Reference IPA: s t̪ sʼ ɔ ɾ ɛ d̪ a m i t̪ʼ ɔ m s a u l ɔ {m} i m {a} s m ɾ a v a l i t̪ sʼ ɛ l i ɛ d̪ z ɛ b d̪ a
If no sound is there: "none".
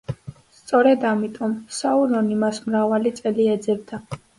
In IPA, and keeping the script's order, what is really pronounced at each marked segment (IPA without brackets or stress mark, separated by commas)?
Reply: n, a